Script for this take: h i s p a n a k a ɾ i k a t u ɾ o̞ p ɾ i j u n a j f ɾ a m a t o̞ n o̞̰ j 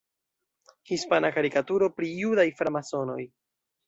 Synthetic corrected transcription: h i s p a n a k a ɾ i k a t u ɾ o̞ p ɾ i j u d a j f ɾ a m a s o̞ n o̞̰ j